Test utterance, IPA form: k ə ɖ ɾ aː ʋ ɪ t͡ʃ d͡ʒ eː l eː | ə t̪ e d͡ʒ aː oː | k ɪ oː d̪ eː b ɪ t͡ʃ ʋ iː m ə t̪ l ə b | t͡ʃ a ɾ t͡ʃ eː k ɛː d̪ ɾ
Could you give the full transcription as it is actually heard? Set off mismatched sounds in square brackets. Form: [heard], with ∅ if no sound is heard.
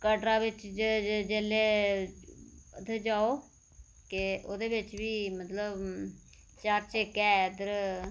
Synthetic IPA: k ə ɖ ɾ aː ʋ ɪ t͡ʃ d͡ʒ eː l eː | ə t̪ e d͡ʒ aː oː | k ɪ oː d̪ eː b ɪ t͡ʃ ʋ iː m ə t̪ l ə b | t͡ʃ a ɾ t͡ʃ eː k ɛː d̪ ɾ